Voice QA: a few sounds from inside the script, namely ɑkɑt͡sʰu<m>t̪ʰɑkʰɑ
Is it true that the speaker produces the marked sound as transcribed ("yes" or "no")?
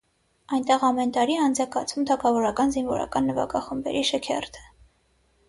yes